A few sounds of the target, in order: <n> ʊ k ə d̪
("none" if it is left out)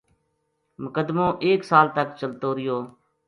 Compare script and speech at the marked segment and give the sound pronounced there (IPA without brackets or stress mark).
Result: m